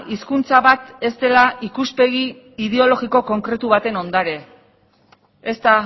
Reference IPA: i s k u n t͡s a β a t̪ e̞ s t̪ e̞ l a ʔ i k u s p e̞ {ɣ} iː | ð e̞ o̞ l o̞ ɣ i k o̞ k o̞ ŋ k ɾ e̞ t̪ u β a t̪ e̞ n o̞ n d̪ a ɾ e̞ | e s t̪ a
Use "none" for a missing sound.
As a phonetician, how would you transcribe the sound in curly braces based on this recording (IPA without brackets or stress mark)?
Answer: ɣ